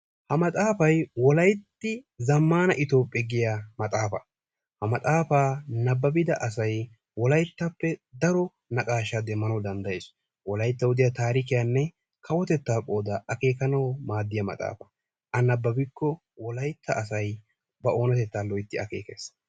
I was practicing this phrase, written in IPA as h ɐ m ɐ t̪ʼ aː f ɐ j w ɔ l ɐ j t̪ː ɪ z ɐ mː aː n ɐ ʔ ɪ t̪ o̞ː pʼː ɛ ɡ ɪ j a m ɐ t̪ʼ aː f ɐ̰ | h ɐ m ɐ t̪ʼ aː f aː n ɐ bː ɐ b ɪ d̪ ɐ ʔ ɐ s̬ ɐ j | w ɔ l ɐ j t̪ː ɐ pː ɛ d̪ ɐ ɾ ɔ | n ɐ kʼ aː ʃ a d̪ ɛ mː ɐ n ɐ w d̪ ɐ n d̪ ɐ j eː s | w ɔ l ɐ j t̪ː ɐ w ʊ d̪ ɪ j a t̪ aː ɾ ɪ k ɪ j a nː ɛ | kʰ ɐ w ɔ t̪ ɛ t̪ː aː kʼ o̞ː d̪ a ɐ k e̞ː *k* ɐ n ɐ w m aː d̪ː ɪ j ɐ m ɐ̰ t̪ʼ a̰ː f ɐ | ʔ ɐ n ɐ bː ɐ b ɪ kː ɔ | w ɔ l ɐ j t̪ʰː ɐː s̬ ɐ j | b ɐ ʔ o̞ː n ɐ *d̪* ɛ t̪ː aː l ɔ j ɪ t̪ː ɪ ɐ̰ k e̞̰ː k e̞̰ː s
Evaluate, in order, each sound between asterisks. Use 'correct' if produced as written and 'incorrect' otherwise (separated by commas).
correct, incorrect